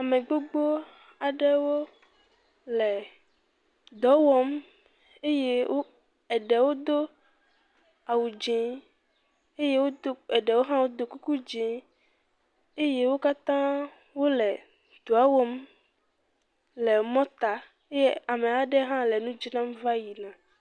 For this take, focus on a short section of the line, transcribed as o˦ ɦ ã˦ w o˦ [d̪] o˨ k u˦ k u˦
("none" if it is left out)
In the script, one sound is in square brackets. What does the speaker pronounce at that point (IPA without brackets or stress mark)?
d̪